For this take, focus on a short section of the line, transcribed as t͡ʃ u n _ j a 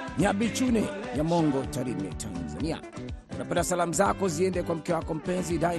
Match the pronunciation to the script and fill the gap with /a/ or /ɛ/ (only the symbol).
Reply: ɛ